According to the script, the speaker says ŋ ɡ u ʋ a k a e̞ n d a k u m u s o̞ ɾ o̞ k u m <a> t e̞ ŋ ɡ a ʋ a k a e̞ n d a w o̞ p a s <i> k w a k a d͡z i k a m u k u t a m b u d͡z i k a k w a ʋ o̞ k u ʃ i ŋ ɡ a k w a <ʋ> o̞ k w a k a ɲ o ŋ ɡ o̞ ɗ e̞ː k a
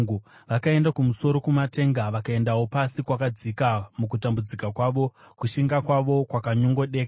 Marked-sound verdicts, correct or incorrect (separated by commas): correct, correct, correct